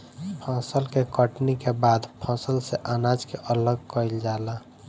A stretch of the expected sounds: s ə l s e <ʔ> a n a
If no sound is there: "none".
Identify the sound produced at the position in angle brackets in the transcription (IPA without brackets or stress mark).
ʔ